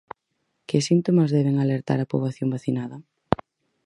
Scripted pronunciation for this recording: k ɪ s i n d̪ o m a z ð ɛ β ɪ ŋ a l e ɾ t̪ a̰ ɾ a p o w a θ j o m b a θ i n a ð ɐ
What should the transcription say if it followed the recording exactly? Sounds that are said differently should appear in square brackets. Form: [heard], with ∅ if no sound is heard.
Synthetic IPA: k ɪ s i n [t̪] o m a z ð ɛ β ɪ ŋ a l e ɾ t̪ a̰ ɾ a p o [β] a θ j o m b a θ i n a ð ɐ